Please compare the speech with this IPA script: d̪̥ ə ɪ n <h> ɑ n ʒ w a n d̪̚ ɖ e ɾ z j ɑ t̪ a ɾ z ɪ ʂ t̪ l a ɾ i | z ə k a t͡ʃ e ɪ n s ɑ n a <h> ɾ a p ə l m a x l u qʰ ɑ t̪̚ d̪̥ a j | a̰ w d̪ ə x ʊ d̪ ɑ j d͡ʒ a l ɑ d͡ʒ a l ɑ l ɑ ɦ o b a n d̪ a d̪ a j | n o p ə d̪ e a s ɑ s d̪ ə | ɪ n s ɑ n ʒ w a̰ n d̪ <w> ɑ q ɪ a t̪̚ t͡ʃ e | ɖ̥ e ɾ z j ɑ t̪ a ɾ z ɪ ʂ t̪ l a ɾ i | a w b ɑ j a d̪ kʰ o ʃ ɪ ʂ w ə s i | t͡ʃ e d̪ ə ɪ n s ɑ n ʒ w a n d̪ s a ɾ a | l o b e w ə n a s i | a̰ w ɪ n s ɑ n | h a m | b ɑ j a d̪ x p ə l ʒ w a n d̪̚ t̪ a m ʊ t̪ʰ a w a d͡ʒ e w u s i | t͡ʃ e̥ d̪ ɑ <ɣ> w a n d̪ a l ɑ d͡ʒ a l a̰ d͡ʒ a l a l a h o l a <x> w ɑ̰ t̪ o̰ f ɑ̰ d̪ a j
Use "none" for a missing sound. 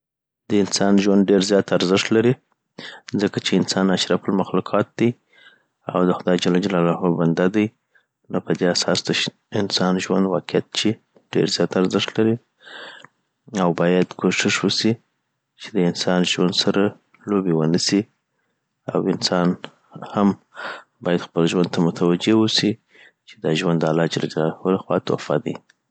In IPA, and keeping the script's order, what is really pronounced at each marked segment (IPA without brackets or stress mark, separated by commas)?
s, ʃ, w, ʒ, x